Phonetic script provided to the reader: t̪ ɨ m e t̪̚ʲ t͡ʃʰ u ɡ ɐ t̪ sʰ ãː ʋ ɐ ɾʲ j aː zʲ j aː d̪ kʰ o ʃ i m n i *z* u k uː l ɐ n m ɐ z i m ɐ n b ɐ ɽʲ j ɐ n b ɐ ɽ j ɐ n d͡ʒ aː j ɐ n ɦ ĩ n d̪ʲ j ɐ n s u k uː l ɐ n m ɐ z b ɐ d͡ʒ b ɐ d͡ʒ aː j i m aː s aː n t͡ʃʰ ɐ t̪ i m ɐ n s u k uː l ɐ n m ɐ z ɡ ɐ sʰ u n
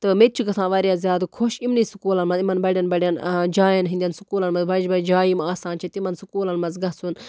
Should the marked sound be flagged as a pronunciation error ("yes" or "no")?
yes